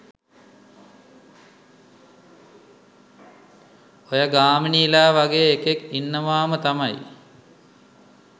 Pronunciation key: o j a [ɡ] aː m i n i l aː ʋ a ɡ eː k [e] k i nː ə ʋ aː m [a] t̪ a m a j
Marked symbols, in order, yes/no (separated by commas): yes, yes, no